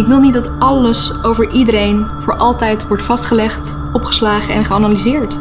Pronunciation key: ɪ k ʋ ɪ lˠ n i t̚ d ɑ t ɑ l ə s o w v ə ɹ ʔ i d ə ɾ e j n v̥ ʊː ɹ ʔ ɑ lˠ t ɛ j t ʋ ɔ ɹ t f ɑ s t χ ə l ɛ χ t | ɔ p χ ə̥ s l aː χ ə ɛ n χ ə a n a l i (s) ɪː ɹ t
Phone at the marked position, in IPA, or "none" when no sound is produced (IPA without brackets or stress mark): z